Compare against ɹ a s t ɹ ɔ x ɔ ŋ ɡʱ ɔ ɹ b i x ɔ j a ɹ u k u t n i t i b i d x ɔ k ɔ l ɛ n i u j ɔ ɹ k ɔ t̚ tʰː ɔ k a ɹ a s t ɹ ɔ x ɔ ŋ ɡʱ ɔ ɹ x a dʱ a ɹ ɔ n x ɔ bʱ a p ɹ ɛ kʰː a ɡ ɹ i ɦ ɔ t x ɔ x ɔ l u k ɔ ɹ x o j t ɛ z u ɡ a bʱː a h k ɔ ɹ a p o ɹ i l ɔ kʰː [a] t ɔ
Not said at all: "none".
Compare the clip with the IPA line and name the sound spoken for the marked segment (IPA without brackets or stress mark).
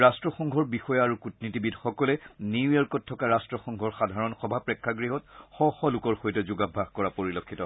i